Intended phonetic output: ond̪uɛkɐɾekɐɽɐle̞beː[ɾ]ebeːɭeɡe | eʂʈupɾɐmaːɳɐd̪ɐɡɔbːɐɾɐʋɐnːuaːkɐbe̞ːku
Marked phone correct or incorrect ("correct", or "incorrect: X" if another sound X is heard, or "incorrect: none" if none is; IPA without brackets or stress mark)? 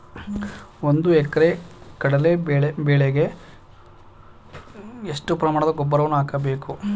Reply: incorrect: ɭ